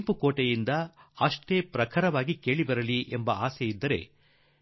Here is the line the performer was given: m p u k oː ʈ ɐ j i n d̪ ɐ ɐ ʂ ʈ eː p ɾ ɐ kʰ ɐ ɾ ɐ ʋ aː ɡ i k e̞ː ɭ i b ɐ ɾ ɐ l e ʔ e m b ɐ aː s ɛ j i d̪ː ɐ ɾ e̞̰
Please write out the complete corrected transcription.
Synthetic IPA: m p u k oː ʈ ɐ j i n d̪ ɐ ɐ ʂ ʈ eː p ɾ ɐ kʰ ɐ ɾ ɐ ʋ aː ɡ i k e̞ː ɭ i b ɐ ɾ ɐ l i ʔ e m b ɐ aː s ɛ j i d̪ː ɐ ɾ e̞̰